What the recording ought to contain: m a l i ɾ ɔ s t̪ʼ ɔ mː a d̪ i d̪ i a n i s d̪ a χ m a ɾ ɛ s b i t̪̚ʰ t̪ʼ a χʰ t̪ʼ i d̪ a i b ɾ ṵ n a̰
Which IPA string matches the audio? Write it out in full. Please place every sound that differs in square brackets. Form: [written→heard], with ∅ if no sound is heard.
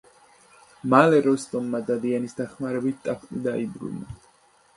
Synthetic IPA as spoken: m a l [i→ɛ] ɾ ɔ s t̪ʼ ɔ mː a d̪ [i→a] d̪ i a n i s d̪ a χ m a ɾ ɛ [s→∅] b i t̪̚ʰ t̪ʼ a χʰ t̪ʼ i d̪ a i b ɾ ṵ n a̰